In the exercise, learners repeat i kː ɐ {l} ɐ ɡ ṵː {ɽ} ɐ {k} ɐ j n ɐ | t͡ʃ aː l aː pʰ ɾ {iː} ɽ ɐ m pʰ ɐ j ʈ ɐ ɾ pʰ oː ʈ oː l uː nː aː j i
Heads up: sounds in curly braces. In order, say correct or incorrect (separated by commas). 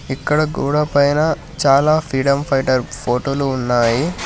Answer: incorrect, correct, incorrect, correct